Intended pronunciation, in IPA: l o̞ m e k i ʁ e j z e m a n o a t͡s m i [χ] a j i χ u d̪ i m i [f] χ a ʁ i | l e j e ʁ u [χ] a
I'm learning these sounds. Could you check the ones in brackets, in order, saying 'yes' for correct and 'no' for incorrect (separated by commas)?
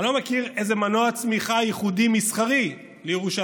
yes, no, no